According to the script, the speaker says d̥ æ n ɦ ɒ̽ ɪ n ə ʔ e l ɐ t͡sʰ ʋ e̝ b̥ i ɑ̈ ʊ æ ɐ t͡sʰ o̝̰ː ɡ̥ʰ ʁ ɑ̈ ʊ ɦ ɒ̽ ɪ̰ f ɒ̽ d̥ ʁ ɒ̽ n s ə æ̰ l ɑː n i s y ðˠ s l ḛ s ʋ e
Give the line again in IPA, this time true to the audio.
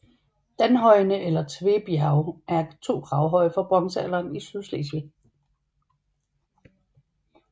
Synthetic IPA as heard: d̥ æ n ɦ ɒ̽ ɪ n ə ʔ e l ɐ t͡sʰ ʋ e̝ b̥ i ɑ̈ ʊ æ ɐ t͡sʰ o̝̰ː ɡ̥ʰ ʁ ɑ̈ ʊ ɦ ɒ̽ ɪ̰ f ɒ̽ b̥ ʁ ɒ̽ ŋ s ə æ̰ l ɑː n i s y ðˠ s l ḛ s ʋ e